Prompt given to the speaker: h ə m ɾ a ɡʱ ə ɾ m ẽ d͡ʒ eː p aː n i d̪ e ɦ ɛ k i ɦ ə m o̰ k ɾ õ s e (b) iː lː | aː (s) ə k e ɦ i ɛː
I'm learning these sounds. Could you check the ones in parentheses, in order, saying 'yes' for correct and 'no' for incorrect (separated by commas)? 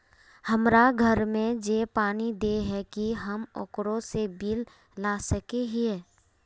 yes, yes